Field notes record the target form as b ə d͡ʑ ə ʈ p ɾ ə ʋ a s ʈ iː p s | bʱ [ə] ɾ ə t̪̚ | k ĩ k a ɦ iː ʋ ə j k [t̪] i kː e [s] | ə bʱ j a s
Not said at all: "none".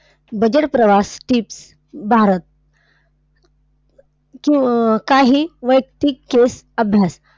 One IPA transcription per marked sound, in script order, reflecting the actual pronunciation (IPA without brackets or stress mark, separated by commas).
a, t̪, s